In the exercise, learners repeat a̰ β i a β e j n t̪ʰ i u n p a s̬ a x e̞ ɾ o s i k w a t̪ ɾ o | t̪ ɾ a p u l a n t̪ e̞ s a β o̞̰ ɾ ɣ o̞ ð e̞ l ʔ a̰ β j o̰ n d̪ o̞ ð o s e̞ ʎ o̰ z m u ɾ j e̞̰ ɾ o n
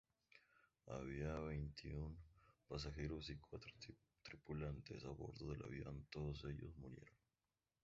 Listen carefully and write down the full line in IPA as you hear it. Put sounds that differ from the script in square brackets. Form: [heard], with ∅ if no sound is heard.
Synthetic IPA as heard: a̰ β i a β e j n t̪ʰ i u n p a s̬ a x e̞ ɾ o s i k w a t̪ ɾ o | t̪ ɾ [i] p u l a n t̪ e̞ s a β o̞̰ ɾ [ð] o̞ ð e̞ l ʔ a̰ β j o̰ n [t̪] o̞ ð o s e̞ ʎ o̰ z m u ɾ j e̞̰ ɾ o n